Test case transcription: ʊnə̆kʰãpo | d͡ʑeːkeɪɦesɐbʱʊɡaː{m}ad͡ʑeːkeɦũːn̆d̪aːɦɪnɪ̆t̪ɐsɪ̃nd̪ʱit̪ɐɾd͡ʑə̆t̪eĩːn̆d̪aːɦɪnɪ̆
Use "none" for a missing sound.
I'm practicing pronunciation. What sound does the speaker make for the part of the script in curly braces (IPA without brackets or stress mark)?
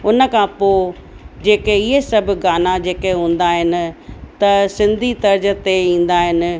n